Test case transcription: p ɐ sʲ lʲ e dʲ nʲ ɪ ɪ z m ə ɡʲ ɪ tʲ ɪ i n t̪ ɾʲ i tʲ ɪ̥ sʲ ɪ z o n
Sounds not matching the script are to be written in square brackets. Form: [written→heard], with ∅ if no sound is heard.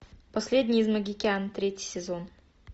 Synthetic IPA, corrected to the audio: p ɐ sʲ lʲ e dʲ nʲ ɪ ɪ z m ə ɡʲ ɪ [tʲ→kʲ] ɪ [i→a] n t̪ ɾʲ [i→e] tʲ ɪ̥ sʲ ɪ z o n